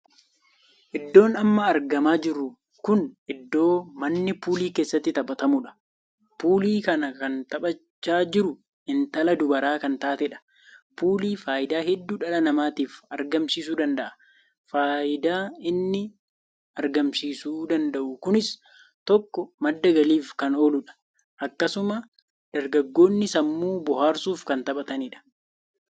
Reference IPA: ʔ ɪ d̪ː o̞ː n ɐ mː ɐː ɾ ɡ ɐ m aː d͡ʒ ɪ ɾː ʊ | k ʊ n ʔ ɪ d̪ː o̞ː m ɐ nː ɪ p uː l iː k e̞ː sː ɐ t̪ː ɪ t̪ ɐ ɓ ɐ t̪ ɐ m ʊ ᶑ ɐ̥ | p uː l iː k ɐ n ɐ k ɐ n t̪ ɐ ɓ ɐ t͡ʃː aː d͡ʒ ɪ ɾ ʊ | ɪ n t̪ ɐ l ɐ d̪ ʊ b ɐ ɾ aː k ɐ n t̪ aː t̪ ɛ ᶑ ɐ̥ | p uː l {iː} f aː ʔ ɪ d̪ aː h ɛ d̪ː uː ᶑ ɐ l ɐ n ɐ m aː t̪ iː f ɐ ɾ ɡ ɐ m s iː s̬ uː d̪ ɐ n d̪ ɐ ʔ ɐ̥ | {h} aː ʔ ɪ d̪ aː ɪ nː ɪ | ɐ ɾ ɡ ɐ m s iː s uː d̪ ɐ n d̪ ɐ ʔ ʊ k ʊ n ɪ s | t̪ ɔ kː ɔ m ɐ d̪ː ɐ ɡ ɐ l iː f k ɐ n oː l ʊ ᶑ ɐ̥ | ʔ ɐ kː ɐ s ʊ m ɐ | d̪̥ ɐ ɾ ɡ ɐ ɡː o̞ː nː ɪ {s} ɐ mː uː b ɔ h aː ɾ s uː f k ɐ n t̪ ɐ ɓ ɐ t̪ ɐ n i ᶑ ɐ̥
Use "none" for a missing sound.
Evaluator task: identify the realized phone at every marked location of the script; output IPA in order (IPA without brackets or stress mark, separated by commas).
iː, f, s